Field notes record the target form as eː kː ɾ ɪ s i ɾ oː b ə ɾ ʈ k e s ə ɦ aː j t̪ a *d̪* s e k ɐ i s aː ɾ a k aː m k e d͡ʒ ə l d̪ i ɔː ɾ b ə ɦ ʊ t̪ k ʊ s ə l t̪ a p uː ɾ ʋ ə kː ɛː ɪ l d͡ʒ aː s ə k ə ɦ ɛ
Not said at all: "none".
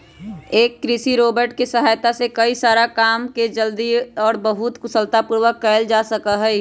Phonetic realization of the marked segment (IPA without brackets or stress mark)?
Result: none